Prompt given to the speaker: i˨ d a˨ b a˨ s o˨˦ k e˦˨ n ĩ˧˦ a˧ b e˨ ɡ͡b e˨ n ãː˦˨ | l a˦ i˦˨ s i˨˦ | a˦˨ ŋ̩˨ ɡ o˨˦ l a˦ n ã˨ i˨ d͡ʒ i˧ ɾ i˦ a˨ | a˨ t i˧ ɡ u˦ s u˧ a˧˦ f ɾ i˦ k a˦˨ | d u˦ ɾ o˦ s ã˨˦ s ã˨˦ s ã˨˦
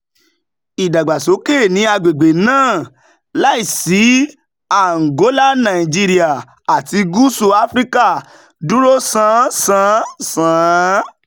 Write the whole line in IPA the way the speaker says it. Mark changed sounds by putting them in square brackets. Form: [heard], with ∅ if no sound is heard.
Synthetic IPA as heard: i˨ d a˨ [ɡ͡b] a˨ s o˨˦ k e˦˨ n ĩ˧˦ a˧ [ɡ͡b] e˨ ɡ͡b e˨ n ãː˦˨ | l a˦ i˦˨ s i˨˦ | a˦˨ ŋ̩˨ ɡ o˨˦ l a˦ n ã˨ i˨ d͡ʒ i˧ ɾ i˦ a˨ | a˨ t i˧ ɡ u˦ s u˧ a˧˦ f ɾ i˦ k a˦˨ | d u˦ ɾ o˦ s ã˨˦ s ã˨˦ s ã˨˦